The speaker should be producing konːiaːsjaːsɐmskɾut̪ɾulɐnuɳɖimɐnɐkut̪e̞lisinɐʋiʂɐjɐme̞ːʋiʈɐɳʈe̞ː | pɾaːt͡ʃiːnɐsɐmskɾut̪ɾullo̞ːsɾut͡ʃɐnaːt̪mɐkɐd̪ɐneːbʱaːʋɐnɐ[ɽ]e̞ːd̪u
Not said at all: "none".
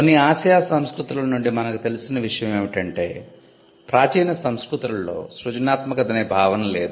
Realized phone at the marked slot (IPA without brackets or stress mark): l